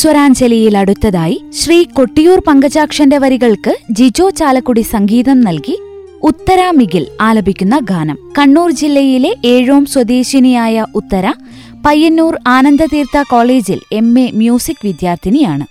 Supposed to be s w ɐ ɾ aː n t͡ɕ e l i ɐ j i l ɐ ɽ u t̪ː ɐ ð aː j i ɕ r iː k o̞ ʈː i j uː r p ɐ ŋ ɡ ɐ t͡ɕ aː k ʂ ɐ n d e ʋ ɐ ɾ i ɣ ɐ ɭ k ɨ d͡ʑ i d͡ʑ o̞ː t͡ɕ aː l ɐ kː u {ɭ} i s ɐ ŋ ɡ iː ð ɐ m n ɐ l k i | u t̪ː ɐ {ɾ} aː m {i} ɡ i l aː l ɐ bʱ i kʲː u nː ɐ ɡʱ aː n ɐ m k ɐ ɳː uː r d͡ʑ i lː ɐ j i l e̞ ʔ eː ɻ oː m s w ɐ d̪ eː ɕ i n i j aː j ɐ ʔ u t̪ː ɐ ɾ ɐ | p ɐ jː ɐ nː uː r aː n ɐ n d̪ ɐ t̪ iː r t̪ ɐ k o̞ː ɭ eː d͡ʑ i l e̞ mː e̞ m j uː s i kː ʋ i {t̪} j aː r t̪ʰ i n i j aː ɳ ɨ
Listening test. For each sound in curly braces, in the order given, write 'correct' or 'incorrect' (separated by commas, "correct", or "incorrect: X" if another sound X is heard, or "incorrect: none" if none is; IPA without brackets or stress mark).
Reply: incorrect: ɽ, correct, correct, incorrect: d̪